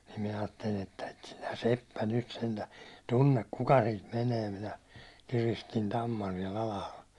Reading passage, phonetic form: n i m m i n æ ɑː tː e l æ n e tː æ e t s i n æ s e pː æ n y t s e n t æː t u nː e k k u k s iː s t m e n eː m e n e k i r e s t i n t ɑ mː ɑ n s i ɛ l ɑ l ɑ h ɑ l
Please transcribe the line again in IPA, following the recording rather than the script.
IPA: n i m m i n æ ɑː tː e l i n e tː æ e t s i n æ s e pː æ n y t s e n t æː t u nː e k k u k s iː t m e n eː m i n æ k i r i s t i n t ɑ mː ɑ n s i ɛ l ɑ l ɑ h ɑ l